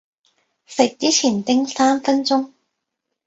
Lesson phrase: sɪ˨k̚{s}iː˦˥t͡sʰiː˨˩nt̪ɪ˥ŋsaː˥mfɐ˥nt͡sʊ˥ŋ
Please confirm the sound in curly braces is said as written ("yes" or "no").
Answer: no